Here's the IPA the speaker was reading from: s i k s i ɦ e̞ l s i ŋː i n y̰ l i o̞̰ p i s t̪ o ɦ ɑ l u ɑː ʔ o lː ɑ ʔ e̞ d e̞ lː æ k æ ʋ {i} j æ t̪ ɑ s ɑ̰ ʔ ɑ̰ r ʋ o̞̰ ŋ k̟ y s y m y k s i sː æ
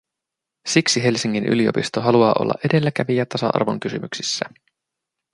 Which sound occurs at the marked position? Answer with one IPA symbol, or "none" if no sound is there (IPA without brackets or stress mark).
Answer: i